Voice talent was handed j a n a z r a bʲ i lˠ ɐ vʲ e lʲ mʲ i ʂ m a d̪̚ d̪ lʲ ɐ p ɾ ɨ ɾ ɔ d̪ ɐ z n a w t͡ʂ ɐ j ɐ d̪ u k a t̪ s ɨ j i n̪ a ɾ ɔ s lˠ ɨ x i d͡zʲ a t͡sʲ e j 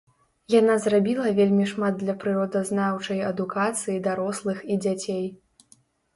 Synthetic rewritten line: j a n a z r a bʲ i lˠ ɐ vʲ e lʲ mʲ i ʂ m a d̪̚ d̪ lʲ ɐ p ɾ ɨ ɾ ɔ d̪ ɐ z n a w t͡ʂ ɐ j ɐ d̪ u k a t̪ s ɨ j i d̪ a ɾ ɔ s lˠ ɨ x i d͡zʲ a t͡sʲ e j